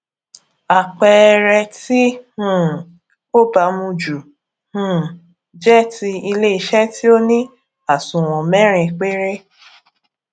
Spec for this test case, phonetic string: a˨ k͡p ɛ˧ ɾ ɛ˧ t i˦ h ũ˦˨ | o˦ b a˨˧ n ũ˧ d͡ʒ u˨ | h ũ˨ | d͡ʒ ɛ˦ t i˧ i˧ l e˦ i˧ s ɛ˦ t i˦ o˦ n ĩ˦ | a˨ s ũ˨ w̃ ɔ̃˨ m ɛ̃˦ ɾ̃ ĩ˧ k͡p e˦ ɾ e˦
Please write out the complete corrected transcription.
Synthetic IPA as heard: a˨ k͡p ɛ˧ ɾ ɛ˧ t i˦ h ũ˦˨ | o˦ b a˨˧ m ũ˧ d͡ʒ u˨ | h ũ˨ | d͡ʒ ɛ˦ t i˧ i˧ l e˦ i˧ ʃ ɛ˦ t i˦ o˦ n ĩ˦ | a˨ s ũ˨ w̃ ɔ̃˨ m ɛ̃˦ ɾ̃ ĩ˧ k͡p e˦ ɾ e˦